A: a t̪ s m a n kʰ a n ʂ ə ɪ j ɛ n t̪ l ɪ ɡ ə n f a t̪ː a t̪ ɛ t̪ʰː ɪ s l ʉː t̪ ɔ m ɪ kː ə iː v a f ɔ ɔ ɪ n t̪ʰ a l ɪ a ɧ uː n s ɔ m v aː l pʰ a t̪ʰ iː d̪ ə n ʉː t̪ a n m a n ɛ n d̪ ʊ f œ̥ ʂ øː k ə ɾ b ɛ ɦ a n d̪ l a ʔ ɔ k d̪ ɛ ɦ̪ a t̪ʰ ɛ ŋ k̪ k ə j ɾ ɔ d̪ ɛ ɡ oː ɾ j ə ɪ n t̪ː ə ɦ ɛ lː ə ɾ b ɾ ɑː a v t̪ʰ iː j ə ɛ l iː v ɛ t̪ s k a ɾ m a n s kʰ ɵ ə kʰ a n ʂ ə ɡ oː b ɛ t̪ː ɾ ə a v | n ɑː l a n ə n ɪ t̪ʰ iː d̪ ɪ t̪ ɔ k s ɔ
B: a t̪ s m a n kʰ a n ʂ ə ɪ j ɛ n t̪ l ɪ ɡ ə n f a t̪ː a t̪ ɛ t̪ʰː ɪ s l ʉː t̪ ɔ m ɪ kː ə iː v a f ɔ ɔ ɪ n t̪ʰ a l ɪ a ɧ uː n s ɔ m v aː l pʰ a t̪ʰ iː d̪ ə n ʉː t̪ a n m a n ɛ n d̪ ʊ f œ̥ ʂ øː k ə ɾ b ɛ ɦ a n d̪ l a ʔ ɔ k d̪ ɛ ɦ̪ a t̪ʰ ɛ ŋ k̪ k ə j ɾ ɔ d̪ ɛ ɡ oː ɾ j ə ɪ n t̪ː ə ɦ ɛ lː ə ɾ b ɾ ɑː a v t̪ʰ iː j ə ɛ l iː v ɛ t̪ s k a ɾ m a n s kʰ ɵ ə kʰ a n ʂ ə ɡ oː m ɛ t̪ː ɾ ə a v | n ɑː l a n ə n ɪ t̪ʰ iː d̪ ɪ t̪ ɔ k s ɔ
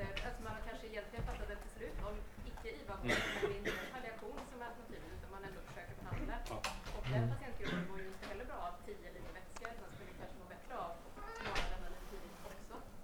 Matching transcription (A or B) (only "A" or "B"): A